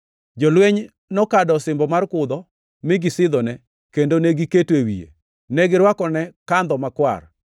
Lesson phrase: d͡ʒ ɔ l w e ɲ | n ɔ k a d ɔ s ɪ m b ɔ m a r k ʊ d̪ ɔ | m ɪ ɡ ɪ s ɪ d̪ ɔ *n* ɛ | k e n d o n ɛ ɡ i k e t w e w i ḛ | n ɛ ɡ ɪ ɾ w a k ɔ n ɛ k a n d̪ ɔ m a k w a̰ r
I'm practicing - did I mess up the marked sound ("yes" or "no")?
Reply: no